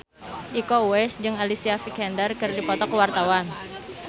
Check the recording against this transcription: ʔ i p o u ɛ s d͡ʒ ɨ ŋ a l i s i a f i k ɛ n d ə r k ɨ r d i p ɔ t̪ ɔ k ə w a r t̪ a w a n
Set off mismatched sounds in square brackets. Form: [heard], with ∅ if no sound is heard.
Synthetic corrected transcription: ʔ i [k] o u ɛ s d͡ʒ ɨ ŋ a l i s i a f i k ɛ n d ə r k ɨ r d i p ɔ t̪ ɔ k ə w a r t̪ a w a n